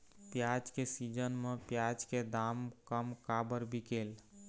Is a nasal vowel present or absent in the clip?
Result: absent